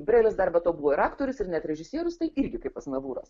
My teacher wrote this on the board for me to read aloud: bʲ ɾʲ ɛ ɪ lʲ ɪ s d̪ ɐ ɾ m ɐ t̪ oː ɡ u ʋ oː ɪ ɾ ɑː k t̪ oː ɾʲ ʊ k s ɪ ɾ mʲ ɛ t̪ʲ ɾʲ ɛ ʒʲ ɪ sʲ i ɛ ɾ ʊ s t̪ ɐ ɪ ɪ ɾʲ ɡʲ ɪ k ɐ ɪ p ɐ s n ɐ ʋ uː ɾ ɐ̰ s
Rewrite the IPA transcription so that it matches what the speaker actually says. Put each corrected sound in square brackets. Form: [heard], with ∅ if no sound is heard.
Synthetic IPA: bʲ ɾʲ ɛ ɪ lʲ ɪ s d̪ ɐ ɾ [b] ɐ t̪ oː [b] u ʋ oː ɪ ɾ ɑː k t̪ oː ɾʲ ʊ [∅] s ɪ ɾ [nʲ] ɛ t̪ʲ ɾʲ ɛ ʒʲ ɪ sʲ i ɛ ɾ ʊ s t̪ ɐ ɪ ɪ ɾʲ ɡʲ ɪ k ɐ ɪ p ɐ s n ɐ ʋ uː ɾ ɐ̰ s